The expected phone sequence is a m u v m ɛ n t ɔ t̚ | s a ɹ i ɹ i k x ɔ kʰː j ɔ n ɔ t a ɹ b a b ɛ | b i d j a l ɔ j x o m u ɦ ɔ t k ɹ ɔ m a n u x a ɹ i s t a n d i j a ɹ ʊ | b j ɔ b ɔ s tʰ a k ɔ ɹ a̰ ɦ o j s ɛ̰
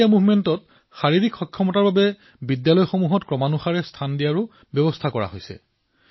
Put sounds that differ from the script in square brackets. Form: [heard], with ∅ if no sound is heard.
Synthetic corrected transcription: a m u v m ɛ n t ɔ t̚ | [x] a ɹ i ɹ i k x ɔ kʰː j ɔ [m] ɔ t a ɹ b a b ɛ | b i d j a l ɔ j x o m u ɦ ɔ t k ɹ ɔ m a n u x a ɹ [ɛ] s [tʰ] a n d i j a ɹ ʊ | b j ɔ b ɔ s tʰ a k ɔ ɹ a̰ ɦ o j s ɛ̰